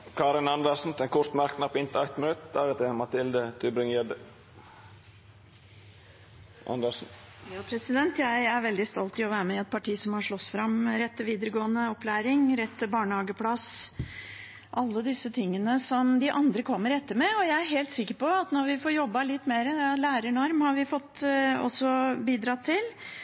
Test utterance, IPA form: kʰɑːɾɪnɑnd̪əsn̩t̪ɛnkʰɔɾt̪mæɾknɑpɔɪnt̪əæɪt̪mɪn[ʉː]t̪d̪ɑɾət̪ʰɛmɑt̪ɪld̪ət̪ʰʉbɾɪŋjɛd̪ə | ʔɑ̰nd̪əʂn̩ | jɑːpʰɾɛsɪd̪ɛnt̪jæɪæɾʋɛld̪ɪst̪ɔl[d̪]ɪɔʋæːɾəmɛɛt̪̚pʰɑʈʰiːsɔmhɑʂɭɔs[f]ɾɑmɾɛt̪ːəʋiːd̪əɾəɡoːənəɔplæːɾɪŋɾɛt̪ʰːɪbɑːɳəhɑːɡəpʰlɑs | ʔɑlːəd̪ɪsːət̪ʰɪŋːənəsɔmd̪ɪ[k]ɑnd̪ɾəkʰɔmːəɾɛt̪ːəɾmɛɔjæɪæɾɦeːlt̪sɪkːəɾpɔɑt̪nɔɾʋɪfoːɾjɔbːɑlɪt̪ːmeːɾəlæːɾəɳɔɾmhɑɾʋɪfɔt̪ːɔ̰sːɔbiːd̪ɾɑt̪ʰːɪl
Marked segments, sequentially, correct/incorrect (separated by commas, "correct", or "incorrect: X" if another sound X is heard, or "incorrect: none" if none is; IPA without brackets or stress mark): incorrect: ʉ, incorrect: t̪, correct, incorrect: ʔ